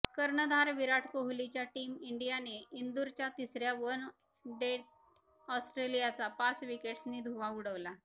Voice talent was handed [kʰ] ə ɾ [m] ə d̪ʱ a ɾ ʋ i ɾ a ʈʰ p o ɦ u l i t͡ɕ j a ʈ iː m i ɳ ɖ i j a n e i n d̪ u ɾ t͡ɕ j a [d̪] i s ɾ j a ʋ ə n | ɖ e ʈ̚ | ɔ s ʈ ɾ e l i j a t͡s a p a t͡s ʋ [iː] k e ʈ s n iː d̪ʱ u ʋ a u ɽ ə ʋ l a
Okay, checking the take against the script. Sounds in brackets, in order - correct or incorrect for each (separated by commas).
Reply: incorrect, incorrect, incorrect, incorrect